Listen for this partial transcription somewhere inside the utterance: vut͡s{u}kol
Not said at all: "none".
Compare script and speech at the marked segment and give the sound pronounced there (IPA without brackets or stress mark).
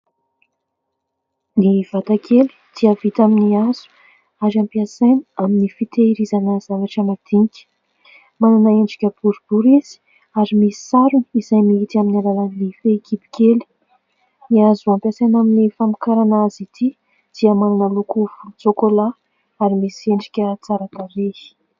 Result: o